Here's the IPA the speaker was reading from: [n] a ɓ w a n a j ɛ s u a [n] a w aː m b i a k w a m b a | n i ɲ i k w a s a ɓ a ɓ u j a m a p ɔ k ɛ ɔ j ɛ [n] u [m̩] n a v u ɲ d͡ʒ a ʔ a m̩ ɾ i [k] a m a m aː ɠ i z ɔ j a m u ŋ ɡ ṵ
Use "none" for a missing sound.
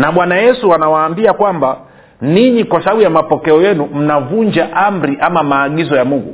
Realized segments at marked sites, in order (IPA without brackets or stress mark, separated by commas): n, n, n, m̩, ʔ